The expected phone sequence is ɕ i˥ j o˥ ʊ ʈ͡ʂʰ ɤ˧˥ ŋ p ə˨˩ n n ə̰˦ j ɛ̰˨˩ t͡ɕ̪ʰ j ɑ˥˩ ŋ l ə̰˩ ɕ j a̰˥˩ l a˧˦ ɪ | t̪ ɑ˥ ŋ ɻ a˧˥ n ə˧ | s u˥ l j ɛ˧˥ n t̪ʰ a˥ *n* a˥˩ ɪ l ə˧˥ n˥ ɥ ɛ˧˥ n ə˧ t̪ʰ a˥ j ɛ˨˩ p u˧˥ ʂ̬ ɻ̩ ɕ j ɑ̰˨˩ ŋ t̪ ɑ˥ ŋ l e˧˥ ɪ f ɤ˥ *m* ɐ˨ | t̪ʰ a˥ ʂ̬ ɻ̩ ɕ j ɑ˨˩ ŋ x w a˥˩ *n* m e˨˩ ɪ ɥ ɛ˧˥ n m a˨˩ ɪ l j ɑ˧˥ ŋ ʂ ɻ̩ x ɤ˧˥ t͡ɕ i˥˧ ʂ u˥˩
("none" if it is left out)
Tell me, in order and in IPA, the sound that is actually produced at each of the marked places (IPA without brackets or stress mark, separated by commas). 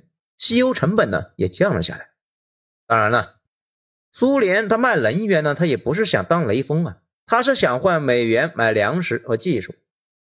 m, ŋ, n